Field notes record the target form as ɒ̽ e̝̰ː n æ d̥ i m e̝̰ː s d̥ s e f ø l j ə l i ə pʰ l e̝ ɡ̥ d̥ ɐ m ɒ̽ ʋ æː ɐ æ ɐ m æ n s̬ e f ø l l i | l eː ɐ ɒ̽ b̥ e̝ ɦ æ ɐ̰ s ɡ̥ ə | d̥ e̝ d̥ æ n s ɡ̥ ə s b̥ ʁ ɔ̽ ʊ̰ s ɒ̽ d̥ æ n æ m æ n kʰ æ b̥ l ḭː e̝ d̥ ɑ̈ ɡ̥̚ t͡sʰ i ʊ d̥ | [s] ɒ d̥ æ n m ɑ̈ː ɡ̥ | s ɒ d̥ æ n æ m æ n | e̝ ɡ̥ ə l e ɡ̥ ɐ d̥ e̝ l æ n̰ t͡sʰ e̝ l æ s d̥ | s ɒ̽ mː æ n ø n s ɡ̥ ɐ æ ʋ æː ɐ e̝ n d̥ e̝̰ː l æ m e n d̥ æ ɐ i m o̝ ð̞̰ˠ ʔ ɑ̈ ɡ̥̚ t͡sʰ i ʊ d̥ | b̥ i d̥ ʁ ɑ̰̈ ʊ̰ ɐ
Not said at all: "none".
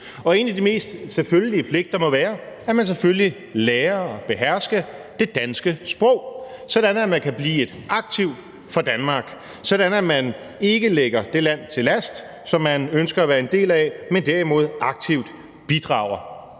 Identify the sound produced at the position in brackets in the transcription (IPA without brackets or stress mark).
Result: f